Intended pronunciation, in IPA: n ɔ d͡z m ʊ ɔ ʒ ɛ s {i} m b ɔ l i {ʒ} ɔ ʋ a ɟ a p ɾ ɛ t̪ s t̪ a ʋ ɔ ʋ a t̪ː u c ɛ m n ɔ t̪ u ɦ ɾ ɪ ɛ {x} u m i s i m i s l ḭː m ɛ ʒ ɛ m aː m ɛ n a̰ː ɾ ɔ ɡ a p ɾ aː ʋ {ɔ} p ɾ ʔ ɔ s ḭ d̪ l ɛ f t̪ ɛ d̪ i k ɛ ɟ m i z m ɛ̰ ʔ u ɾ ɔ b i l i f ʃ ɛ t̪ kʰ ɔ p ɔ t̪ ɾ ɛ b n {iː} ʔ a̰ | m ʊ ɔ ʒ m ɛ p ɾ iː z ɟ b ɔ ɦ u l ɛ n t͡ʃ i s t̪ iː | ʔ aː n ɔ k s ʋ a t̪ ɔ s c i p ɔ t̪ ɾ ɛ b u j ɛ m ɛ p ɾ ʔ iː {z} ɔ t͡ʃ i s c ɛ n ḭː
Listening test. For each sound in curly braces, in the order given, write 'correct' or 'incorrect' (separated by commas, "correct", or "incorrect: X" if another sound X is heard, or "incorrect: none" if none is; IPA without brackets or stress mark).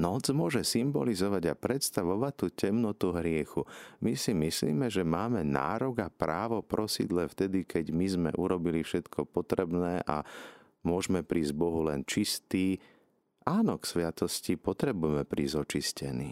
correct, incorrect: z, correct, correct, incorrect: ɛː, correct